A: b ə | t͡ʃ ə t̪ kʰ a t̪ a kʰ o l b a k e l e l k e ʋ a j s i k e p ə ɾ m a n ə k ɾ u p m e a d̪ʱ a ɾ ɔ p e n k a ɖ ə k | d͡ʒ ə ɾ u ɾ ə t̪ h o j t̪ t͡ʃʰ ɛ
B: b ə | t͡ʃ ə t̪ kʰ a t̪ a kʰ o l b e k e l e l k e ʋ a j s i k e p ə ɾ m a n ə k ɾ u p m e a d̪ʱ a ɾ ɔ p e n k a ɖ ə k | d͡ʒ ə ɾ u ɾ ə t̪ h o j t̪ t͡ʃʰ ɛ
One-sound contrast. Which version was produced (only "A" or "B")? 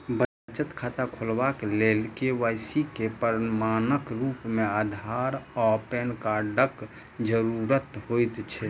A